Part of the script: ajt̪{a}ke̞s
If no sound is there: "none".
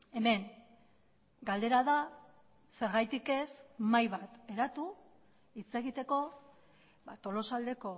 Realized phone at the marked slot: i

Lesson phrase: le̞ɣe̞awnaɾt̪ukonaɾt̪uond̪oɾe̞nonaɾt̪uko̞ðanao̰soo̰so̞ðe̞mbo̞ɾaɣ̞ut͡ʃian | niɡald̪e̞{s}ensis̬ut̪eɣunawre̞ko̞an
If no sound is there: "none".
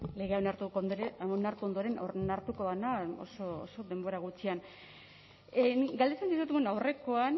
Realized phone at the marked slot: t͡s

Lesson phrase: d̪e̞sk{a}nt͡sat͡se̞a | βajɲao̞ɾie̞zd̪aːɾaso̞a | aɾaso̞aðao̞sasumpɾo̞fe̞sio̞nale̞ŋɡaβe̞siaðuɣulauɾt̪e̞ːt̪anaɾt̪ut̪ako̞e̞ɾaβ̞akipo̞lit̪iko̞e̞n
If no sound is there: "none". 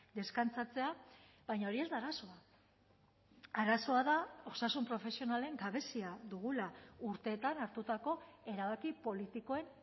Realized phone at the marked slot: a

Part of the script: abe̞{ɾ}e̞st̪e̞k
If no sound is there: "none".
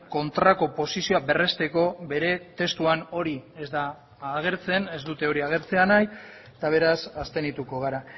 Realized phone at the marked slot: r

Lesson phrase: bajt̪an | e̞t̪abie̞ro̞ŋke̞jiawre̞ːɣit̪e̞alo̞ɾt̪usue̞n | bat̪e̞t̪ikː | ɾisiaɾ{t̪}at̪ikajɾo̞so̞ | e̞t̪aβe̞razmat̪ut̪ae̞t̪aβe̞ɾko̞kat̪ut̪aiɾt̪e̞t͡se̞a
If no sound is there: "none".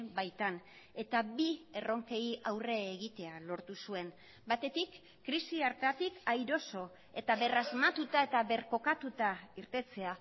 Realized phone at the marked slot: t̪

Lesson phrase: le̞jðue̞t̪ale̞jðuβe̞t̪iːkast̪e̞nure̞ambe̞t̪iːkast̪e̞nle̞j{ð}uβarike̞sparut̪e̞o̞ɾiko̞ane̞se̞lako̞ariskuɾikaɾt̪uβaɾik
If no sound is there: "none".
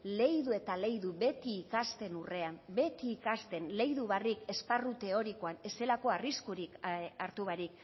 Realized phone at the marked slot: ð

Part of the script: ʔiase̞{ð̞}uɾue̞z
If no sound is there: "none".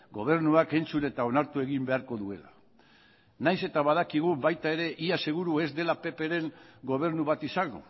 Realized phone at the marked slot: ɣ̞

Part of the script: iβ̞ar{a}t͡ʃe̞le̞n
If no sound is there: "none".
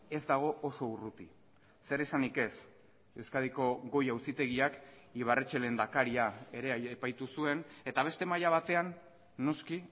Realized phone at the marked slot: e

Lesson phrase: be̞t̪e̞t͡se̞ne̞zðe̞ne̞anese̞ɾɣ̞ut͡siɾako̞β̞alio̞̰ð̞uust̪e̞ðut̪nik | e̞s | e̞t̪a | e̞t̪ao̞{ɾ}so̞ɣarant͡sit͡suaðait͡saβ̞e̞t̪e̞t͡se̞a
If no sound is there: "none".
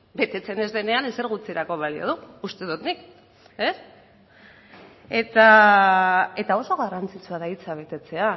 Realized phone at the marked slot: none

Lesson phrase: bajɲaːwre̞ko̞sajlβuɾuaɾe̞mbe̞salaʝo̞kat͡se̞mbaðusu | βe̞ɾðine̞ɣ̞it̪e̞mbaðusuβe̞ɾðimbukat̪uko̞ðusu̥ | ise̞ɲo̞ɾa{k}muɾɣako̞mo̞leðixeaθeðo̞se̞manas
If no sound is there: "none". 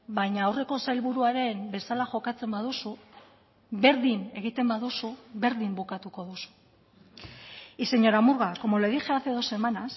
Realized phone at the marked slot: none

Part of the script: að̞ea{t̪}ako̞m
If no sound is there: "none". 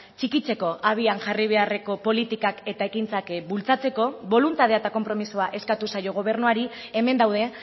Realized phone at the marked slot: t̪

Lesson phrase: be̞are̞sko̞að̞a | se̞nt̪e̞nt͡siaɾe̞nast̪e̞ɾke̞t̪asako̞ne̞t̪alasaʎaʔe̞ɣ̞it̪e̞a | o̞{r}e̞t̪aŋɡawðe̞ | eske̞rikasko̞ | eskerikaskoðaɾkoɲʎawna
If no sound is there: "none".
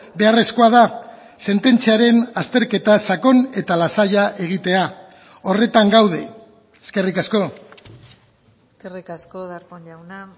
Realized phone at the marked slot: r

